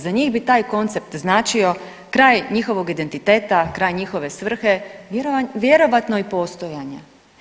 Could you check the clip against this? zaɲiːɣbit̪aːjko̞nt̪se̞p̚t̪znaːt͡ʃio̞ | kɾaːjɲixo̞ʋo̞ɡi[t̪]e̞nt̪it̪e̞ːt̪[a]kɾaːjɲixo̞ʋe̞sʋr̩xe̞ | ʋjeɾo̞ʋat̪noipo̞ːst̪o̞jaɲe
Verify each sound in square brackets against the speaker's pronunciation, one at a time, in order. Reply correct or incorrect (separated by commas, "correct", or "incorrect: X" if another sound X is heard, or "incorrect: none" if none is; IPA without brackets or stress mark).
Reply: incorrect: d̪, correct